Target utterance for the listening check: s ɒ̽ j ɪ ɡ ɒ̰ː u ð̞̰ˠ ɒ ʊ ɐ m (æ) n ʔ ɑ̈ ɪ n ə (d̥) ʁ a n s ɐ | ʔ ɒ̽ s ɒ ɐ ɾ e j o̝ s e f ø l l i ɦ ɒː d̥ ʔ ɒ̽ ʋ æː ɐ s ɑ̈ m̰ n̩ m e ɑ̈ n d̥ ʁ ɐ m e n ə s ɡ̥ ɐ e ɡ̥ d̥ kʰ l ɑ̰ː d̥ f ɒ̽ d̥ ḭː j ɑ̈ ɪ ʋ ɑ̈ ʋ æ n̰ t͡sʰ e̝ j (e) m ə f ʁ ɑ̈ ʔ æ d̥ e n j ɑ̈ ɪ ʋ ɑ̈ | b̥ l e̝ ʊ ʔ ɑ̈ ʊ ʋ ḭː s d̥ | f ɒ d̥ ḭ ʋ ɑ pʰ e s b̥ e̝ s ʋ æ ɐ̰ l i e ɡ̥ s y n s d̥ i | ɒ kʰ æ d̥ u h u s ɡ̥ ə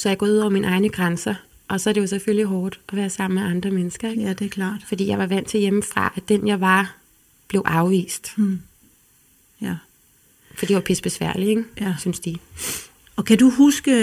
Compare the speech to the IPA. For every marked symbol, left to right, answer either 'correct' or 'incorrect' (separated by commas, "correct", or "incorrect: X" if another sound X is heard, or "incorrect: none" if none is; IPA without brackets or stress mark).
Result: incorrect: i, incorrect: ɡ̥, correct